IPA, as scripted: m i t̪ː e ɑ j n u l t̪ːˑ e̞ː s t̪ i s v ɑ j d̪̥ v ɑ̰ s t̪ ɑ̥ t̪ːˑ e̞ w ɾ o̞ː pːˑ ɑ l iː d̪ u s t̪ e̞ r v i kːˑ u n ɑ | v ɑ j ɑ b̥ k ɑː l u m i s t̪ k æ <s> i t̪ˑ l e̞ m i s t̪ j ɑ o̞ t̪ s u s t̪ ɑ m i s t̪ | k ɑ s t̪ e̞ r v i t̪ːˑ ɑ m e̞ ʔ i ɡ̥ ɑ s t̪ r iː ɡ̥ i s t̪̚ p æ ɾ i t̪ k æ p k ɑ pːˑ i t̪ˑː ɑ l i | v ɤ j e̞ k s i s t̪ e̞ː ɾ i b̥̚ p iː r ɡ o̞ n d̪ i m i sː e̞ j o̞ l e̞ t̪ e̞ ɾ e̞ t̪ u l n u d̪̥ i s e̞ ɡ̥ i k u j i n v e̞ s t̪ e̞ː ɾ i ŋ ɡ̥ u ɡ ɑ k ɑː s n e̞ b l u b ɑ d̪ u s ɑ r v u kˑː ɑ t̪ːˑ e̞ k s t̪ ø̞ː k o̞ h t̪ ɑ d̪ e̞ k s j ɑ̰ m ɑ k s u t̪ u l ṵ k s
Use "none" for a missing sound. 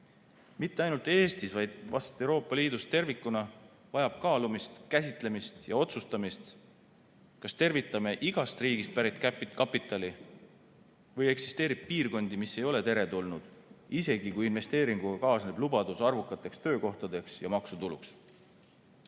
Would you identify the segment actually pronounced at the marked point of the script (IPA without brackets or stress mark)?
s